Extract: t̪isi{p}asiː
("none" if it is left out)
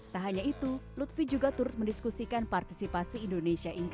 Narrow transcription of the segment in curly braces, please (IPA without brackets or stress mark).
p